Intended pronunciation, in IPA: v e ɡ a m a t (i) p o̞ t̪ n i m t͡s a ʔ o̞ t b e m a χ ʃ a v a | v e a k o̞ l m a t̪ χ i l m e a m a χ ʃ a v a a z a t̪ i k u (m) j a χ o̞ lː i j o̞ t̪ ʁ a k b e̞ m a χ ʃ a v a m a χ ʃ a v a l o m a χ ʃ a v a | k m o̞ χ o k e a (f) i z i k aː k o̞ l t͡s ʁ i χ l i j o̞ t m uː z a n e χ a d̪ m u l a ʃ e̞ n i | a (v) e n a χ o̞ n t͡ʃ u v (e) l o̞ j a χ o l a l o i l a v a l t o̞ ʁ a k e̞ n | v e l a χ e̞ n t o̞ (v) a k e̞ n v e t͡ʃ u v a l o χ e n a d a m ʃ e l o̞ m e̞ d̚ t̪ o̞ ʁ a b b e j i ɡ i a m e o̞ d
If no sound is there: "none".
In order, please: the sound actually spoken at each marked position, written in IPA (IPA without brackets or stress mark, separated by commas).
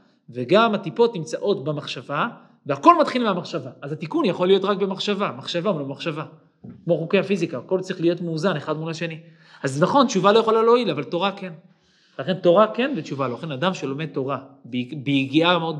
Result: i, n, f, z, a, ʁ